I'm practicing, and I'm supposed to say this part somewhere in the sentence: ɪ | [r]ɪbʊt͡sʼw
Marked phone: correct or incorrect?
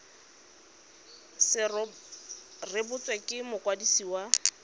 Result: correct